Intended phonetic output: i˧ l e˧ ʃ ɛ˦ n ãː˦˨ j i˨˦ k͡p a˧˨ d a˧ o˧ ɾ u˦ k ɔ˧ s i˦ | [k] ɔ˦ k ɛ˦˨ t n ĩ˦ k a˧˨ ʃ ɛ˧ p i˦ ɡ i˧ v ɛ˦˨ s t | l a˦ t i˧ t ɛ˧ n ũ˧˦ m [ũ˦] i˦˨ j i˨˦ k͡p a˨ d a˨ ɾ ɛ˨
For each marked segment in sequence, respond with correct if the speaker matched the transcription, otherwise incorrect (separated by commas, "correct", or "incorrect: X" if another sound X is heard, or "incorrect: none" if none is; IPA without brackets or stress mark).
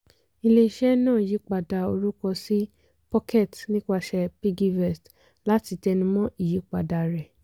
incorrect: p, incorrect: ɔ̃˦